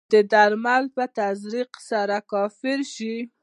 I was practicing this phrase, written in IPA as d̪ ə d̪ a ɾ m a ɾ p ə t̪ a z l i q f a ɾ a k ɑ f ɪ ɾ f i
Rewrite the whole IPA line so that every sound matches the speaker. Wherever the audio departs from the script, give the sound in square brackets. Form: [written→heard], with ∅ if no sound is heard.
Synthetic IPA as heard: d̪ ə d̪ a ɾ m a [ɾ→l] p ə t̪ a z [l→ɾ] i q [f→s] a ɾ a k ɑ f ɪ ɾ [f→ʃ] i

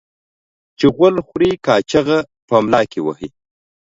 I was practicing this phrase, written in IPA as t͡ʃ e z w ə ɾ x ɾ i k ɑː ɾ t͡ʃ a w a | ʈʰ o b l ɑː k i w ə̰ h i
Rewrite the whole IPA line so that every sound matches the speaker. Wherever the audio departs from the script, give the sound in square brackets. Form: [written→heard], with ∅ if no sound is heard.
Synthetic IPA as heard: t͡ʃ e [z→ɣ] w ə [ɾ→l] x ɾ i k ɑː [ɾ→∅] t͡ʃ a [w→ɣ] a | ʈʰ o [b→m] l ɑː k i w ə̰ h i

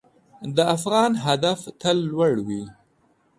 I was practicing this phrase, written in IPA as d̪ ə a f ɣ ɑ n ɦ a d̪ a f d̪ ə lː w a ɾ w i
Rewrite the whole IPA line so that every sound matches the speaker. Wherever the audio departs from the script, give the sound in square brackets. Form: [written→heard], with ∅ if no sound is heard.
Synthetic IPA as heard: d̪ ə a f ɣ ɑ n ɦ a d̪ a f [d̪→t̪] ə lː w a [ɾ→ɽ] w i

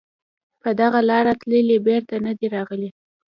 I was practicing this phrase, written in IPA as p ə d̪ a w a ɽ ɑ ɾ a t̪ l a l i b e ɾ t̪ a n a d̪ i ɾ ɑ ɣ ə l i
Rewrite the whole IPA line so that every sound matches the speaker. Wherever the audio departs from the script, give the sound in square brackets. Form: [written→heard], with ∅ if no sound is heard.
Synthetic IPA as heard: p ə d̪ a [w→ɣ] a [ɽ→l] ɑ ɾ a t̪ l [a→ə] l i b e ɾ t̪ a n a d̪ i ɾ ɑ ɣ ə l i

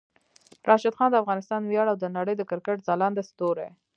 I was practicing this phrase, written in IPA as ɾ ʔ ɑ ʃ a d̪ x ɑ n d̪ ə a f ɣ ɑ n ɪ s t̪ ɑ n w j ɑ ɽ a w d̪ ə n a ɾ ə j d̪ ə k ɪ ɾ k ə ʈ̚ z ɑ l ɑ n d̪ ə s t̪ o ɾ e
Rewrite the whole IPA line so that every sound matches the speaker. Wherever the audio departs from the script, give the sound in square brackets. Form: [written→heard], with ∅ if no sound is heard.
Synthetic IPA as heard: ɾ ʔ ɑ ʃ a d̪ x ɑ n d̪ ə a f ɣ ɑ n ɪ s t̪ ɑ n w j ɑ ɽ a w d̪ ə n a [ɾ→ɽ] ə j d̪ ə k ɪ ɾ k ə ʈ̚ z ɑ l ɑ n d̪ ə s t̪ o ɾ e

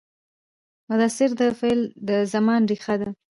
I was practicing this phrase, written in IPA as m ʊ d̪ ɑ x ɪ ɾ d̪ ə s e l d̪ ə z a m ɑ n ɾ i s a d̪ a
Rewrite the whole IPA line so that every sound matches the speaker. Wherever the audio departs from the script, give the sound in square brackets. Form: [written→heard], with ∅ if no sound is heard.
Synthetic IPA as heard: m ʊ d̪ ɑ [x→s] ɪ ɾ d̪ ə [s→f] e l d̪ ə z a m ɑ n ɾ i [s→x] a d̪ a

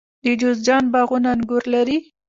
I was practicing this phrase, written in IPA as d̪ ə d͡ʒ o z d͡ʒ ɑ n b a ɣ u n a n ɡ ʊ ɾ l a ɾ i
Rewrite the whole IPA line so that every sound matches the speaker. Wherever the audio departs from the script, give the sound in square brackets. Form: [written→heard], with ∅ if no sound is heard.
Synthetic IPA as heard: d̪ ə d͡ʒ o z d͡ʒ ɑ n b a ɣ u n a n ɡ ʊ ɾ l a ɾ i

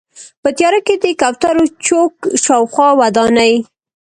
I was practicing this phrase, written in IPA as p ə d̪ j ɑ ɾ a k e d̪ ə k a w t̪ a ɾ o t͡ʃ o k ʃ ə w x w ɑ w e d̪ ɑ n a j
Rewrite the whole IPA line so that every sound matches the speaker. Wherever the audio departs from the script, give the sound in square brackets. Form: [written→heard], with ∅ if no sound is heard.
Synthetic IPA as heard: p ə [d̪→t̪] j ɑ ɾ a k e d̪ ə k a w t̪ a ɾ o t͡ʃ o k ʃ [ə→ɑ] w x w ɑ w [e→a] d̪ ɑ n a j

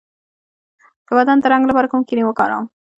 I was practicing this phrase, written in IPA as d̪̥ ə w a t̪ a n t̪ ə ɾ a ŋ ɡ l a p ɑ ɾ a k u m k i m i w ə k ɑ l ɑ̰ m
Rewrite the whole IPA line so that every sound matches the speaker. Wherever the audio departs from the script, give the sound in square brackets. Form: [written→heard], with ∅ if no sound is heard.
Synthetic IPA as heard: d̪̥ ə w a [t̪→d̪] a n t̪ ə ɾ a ŋ ɡ l a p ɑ ɾ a k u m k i [m→n] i w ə k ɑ [l→ɾ] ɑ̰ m

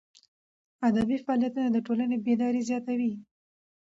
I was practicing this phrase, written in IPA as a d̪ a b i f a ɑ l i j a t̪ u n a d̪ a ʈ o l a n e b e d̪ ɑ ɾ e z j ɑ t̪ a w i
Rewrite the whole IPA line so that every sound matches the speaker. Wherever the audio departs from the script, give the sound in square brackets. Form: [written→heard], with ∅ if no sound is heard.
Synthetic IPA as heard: a d̪ a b i f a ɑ l i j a t̪ u n a d̪ [a→ə] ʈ o l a n e b e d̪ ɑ ɾ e z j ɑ t̪ a w i

